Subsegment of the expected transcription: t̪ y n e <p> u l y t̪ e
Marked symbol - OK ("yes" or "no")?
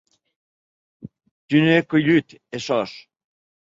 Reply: no